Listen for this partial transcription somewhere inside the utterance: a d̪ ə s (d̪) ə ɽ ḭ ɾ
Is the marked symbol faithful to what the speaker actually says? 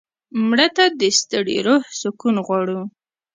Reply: no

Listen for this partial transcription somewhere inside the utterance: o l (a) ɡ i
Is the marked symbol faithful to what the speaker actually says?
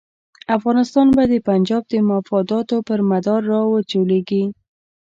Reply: no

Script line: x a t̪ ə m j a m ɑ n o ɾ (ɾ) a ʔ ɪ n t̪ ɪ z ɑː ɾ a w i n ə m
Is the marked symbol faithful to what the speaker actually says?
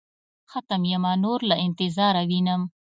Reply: no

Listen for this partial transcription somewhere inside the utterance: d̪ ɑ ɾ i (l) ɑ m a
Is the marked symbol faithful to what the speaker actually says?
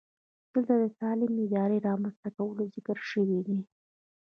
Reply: no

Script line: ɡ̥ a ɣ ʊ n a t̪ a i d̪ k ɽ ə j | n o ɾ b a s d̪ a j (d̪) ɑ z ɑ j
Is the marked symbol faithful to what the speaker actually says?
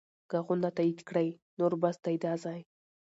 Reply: yes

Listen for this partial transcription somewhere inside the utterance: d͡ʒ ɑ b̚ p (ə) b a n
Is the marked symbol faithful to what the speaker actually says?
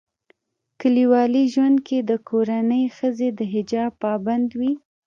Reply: no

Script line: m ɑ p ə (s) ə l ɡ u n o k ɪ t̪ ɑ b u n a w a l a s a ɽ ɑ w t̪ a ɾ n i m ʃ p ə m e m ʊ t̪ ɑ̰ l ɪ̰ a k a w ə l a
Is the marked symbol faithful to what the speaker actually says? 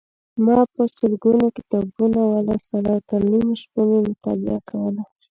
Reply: yes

